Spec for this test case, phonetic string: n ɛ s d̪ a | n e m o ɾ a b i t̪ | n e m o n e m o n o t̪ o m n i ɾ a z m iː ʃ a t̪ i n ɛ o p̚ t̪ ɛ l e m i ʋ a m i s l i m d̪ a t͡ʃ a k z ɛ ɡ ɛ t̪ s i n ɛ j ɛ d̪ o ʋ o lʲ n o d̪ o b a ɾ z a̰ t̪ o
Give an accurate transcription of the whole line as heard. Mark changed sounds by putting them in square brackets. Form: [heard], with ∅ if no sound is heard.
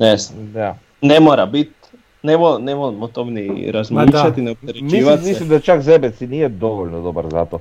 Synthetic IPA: n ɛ s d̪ a | n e m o ɾ a b i t̪ | n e m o n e m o [m] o t̪ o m n i ɾ a z m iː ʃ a t̪ i n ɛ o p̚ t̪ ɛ [ɾ] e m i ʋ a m i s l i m d̪ a t͡ʃ a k z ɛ [b] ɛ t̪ s i n [i] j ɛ d̪ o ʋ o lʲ n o d̪ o b a ɾ z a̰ t̪ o